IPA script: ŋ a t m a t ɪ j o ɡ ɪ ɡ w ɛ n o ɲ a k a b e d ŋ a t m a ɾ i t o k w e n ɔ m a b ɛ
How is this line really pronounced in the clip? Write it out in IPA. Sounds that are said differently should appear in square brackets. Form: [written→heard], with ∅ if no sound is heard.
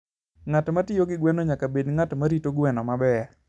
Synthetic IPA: ŋ a t m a t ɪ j o ɡ ɪ ɡ w ɛ n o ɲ a k a b e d ŋ a t m a ɾ i t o [k→ɡ] w [e→ɛ] n ɔ m a b ɛ

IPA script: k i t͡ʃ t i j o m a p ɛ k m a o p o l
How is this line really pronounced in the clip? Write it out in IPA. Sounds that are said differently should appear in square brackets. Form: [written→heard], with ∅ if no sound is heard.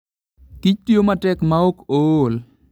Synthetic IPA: k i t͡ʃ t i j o m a [p→t] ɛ k m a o [p→k] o l

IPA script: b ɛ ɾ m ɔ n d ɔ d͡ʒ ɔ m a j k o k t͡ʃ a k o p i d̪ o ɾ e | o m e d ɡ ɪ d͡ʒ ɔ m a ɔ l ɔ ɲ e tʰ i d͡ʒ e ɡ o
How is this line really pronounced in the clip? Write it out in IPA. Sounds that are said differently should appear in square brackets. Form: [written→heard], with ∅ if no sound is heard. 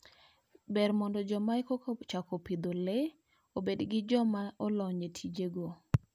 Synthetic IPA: b ɛ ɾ m ɔ n d ɔ d͡ʒ ɔ m a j k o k t͡ʃ a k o p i d̪ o [ɾ→l] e | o [m→b] e d ɡ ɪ d͡ʒ ɔ m a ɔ l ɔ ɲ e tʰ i d͡ʒ e ɡ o

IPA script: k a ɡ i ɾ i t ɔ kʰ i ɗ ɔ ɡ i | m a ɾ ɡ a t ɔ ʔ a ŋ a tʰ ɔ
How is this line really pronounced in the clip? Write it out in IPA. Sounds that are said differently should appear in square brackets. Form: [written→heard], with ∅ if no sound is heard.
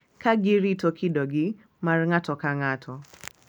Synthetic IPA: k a ɡ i ɾ i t ɔ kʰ i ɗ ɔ ɡ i | m a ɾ [ɡ→ŋ] a t ɔ [ʔ→k] a ŋ a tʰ ɔ

